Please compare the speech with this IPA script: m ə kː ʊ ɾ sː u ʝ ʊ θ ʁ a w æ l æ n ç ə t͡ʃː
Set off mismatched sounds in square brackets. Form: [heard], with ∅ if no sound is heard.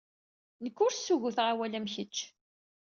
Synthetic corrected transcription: [n] ə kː ʊ ɾ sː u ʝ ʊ θ ʁ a w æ l æ [m] ç ə t͡ʃː

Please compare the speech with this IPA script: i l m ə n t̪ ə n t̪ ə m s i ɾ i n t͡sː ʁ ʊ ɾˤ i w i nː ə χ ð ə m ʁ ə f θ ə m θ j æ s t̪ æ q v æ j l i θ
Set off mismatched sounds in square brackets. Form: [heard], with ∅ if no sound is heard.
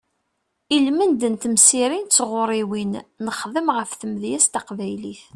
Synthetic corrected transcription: i l m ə n [d̪] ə n t̪ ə m s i ɾ i n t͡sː ʁ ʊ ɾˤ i w i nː ə χ ð ə m ʁ ə f θ ə m [ð] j æ s t̪ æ q v æ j l i θ

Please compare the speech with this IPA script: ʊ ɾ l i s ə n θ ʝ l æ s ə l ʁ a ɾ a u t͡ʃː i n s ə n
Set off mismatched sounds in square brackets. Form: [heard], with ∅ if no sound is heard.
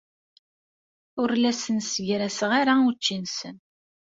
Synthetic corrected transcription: ʊ ɾ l [æ] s ə n [s] ʝ [ɾ] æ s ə [∅] ʁ a ɾ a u t͡ʃː i n s ə n

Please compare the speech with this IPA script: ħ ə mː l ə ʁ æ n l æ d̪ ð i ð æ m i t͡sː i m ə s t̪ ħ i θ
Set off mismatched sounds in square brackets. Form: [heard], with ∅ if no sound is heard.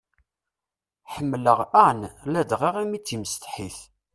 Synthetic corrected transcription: ħ ə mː l ə ʁ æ n l æ d̪ [ʁ] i [ʁ] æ m i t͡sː i m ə s t̪ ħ i θ

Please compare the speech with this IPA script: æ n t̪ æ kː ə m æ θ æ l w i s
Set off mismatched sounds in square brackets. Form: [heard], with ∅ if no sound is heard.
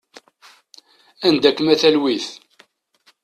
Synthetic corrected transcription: æ n [d̪] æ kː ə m æ θ æ l w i [θ]

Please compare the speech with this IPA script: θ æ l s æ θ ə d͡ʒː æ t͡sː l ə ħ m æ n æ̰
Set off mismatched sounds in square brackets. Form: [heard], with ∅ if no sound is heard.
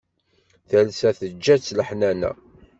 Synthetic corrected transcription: θ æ l s æ θ ə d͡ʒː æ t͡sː l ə ħ [n] æ n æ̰

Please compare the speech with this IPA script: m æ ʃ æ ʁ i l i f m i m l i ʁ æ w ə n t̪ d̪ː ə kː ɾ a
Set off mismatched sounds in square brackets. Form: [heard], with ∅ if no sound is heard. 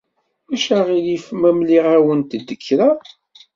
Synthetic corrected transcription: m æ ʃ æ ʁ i l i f m [æ] m l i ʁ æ w ə n t̪ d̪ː ə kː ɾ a

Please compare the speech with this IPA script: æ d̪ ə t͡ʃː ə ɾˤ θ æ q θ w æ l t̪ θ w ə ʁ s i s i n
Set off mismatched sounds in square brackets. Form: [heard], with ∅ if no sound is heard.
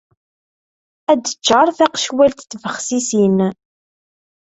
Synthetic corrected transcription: æ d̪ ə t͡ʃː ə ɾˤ θ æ q [ʃ] w æ l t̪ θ [v] ə [χ] s i s i n

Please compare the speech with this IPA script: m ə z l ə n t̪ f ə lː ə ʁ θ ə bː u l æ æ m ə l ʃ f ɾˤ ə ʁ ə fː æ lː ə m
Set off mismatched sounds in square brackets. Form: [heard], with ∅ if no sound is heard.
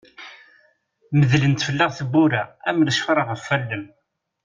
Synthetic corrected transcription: m ə [ð] l ə n t̪ f ə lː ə ʁ θ ə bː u [ɾ] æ æ m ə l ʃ f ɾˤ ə ʁ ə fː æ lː ə m

